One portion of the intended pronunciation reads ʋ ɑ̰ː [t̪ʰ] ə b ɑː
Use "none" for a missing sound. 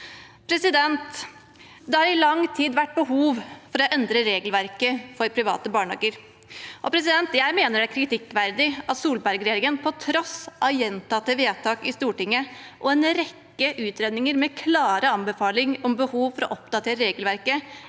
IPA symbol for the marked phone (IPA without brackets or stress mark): t̪